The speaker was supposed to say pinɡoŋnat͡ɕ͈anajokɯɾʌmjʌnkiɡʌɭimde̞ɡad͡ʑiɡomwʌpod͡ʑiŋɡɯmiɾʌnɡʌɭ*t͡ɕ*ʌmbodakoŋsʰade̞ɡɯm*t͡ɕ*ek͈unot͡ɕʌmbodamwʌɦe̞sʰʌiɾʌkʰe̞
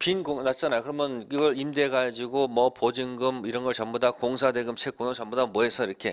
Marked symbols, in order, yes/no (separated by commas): yes, no